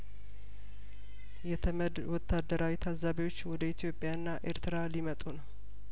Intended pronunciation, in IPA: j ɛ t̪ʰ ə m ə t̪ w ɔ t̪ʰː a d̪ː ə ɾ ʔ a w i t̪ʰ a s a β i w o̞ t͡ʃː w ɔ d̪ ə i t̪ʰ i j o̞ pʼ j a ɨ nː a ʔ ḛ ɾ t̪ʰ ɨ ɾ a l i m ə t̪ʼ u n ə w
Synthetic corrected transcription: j ɛ t̪ʰ ə m ə d̪ w ɔ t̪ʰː a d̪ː ə ɾ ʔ a w i t̪ʰ a z a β i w o̞ t͡ʃː w ɔ d̪ ə i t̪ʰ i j o̞ pʼ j a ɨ nː a ʔ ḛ ɾ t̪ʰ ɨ ɾ a l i m ə t̪ʼ u n ə w